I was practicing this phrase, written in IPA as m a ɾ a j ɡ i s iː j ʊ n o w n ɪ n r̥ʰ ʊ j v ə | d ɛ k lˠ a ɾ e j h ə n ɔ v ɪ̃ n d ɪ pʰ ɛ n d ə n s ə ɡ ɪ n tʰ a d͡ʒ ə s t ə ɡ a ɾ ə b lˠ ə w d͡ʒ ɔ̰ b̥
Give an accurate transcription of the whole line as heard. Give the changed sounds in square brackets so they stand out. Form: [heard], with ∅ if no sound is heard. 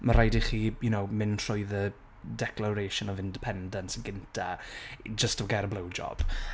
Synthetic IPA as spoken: m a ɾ a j [d] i [χ] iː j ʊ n o w [m] ɪ n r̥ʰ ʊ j [ð] ə | d ɛ k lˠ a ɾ e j [ʃ] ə n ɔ v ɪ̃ n d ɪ pʰ ɛ n d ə n s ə ɡ ɪ n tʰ a d͡ʒ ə s t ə ɡ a ɾ ə b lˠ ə w d͡ʒ ɔ̰ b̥